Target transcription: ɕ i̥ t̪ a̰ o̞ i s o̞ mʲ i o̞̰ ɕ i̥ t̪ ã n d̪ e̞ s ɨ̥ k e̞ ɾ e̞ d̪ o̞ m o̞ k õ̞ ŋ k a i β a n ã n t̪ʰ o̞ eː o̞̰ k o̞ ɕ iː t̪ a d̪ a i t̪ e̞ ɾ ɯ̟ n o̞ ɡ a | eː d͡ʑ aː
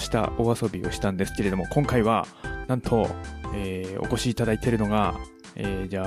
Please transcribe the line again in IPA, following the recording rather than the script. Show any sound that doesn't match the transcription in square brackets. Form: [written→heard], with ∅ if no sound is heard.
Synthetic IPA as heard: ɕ i̥ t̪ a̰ o̞ [i→a] s o̞ [mʲ→bʲ] i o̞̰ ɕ i̥ t̪ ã n d̪ e̞ s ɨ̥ k e̞ ɾ e̞ d̪ o̞ m o̞ k õ̞ ŋ k a i β a n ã n t̪ʰ o̞ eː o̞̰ k o̞ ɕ iː t̪ a d̪ a i t̪ e̞ ɾ ɯ̟ n o̞ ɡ a | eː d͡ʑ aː